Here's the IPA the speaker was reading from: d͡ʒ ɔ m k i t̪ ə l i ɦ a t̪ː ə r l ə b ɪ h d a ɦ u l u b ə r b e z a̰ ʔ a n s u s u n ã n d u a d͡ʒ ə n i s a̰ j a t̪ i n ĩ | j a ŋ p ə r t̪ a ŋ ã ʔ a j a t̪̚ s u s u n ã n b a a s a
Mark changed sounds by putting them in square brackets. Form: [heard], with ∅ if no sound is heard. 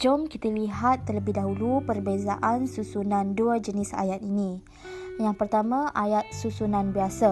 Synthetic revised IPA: d͡ʒ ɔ m k i t̪ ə l i ɦ a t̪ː ə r l ə b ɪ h d a ɦ u l u [p] ə r b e z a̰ ʔ a n s u s u n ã n d u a d͡ʒ ə n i s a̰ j a t̪ i n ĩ | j a ŋ p ə r t̪ a [m] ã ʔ a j a t̪̚ s u s u n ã n b [i] a s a